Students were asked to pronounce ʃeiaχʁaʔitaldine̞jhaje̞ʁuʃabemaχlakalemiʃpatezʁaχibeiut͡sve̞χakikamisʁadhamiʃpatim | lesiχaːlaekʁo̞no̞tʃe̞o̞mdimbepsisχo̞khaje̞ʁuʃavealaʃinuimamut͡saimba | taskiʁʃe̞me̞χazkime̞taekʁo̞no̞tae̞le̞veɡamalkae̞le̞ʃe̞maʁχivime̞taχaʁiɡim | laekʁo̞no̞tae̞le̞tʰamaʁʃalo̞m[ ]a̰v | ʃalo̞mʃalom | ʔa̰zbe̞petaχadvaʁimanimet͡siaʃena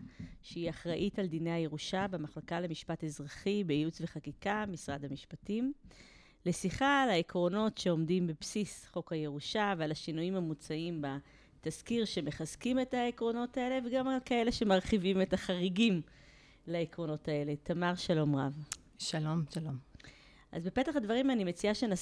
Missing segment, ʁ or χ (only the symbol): ʁ